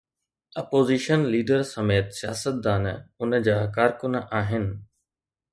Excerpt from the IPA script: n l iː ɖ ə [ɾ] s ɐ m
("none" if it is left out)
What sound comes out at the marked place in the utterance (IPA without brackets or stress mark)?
ɾ